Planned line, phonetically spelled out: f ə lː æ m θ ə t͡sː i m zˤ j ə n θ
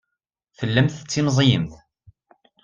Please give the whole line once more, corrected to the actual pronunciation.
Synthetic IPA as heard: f ə lː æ m θ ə t͡sː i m zˤ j ə m θ

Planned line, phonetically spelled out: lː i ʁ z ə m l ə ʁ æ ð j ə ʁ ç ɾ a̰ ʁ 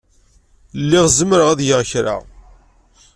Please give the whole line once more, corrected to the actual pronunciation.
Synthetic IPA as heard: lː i ʁ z ə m ɾ ə ʁ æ ð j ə ʁ ç ɾ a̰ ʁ

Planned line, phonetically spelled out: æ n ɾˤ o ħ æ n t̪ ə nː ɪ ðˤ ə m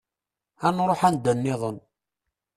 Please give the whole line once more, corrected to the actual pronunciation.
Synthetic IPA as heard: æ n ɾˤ o ħ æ n d̪ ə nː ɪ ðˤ ə n

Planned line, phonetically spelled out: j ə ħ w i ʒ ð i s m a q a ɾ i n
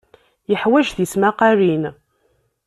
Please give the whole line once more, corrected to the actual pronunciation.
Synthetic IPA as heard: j ə ħ w æ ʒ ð i s m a q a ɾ i n

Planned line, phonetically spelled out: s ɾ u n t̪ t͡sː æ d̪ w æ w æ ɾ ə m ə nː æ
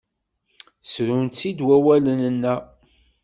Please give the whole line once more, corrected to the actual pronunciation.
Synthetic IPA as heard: s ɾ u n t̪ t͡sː i d̪ w æ w æ l ə n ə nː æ

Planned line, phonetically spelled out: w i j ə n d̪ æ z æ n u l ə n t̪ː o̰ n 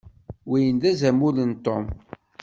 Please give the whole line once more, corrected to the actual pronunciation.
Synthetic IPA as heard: w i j ə n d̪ æ z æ m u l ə n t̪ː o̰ m

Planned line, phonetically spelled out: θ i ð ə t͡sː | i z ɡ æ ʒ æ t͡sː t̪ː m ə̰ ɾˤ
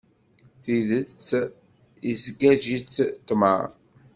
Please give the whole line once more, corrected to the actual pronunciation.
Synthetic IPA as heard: θ i ð ə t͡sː | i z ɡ æ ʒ i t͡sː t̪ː m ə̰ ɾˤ

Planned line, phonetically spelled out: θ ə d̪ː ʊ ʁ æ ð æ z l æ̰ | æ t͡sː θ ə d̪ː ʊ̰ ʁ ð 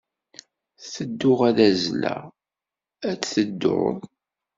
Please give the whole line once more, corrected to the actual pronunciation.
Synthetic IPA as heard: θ ə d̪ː ʊ ʁ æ ð æ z l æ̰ | æ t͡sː θ ə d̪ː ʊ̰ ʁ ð

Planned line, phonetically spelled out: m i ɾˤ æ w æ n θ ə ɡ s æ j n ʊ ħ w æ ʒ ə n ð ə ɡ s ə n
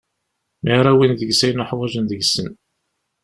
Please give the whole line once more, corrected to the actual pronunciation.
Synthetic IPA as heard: m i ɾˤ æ w i n ð ə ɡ s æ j n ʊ ħ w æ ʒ ə n ð ə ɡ s ə n

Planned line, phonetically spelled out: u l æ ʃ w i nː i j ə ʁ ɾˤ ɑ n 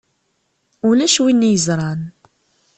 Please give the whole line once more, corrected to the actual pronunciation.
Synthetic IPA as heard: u l æ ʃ w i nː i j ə z ɾˤ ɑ n

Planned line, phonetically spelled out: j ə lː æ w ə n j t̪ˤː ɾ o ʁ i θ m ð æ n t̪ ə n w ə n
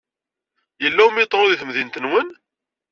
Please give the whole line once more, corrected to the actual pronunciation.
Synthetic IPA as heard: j ə lː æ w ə m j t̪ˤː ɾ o ð i θ m ð i n t̪ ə n w ə n

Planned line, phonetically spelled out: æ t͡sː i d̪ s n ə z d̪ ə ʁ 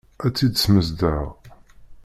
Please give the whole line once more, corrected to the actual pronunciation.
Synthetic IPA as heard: æ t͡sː i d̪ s m ə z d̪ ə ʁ

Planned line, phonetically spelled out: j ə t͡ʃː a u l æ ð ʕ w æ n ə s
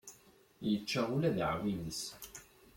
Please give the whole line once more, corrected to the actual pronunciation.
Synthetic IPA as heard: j ə t͡ʃː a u l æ ð ʕ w i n ə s

